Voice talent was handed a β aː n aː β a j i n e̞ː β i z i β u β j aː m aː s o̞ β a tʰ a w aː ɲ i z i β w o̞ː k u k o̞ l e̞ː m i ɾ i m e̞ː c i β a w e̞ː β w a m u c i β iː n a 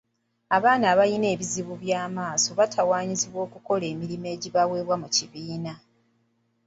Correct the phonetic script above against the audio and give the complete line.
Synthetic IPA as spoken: a β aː n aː β a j i n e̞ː β i z i β u β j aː m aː s o̞ β a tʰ a w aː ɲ i z i β w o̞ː k u k o̞ l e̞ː m i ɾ i m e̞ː ɟ i β a w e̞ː β w a m u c i β iː n a

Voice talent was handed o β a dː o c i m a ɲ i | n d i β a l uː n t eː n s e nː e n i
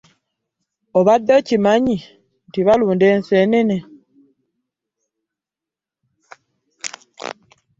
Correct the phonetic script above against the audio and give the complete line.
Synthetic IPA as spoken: o β a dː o c i m a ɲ i | n t i β a l uː n d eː n s e n e n e

